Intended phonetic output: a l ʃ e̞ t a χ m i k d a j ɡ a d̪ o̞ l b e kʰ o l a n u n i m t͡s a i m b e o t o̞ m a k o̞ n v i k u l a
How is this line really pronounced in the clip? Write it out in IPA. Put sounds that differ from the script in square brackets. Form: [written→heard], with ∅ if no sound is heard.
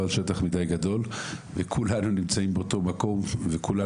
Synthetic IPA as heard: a l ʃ e̞ t a χ m i [k→∅] d a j ɡ a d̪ o̞ l [b→v] e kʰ [o→u] l a n u n i m t͡s a i m b e o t o̞ m a k o̞ [n→m] v [i→e] k u l a